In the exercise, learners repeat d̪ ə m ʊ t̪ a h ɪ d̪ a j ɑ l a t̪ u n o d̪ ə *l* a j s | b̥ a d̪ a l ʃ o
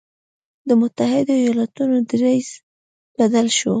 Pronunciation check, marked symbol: incorrect: ɾ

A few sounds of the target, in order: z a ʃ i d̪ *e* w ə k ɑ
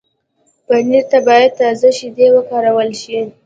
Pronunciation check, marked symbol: correct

